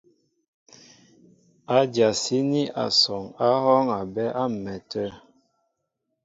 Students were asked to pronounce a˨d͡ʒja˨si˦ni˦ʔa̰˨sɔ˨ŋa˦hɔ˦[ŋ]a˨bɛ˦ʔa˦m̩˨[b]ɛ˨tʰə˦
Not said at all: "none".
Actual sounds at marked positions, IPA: ŋ, m

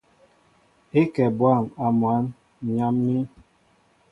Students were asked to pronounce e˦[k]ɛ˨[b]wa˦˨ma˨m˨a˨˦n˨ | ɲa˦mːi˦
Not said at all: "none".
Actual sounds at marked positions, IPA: k, b

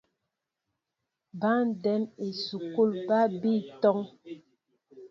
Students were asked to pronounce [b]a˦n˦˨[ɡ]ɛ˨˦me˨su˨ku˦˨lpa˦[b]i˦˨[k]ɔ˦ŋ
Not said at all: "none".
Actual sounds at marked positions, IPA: b, d, b, t

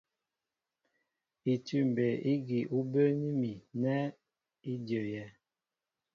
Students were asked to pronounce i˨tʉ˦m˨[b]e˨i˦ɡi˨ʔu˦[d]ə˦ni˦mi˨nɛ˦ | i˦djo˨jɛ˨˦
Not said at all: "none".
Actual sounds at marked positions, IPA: b, b

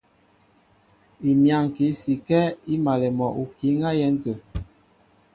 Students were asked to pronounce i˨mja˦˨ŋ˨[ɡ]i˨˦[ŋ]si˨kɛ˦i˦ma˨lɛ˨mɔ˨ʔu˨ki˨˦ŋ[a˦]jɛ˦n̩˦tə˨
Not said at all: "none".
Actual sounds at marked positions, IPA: k, none, a˦

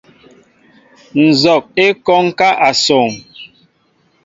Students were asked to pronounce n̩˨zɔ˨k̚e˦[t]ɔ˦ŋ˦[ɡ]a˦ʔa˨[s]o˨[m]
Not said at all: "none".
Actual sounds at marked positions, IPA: k, k, s, ŋ

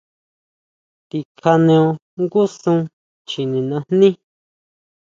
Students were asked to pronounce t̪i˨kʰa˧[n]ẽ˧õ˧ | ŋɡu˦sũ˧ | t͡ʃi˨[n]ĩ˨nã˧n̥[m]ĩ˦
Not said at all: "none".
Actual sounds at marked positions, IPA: n, n, n

